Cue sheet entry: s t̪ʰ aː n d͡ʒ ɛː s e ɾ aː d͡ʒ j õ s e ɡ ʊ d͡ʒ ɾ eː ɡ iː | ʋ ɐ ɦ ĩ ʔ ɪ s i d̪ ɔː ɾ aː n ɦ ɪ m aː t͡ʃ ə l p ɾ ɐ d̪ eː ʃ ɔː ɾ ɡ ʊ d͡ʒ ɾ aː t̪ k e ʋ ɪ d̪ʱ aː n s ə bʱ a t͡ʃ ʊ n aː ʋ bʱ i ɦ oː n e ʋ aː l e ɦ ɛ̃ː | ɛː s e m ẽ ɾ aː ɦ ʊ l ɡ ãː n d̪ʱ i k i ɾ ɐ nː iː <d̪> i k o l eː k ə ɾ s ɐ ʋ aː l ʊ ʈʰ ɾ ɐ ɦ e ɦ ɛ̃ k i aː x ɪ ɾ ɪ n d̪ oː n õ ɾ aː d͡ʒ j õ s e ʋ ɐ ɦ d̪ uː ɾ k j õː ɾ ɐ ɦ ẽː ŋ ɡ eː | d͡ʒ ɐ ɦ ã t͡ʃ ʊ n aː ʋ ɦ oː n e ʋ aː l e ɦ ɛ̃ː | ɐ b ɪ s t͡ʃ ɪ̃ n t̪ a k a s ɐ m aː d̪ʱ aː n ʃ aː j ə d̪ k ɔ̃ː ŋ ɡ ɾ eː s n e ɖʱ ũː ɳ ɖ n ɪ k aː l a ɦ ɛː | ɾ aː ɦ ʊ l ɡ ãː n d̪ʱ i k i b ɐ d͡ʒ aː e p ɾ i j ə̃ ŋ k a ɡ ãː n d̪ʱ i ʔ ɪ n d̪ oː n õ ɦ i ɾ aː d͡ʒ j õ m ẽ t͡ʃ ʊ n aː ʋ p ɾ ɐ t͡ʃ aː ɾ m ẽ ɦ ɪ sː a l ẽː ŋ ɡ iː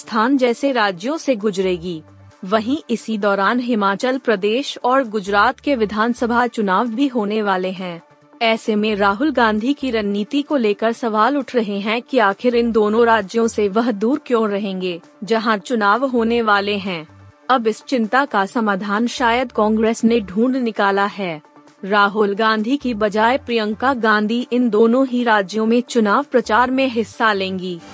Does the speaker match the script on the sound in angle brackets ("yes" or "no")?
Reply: no